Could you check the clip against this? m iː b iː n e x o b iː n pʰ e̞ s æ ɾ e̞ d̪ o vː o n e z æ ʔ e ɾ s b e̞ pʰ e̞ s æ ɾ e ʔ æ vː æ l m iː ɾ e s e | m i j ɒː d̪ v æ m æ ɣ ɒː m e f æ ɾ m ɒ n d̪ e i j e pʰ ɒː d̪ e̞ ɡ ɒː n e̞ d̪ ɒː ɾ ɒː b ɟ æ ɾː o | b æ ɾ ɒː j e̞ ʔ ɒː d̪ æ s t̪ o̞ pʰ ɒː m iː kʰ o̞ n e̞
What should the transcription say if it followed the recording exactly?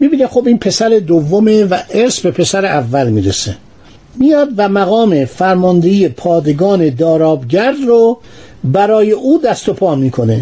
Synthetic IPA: m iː b iː n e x o b iː n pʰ e̞ s æ ɾ e̞ d̪ o vː o m e v æ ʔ e ɾ s b e̞ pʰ e̞ s æ ɾ e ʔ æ vː æ l m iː ɾ e s e | m i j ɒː d̪ v æ m æ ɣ ɒː m e f æ ɾ m ɒ n d̪ e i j e pʰ ɒː d̪ e̞ ɡ ɒː n e̞ d̪ ɒː ɾ ɒː b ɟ æ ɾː o | b æ ɾ ɒː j e̞ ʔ uː d̪ æ s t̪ o̞ pʰ ɒː m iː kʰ o̞ n e̞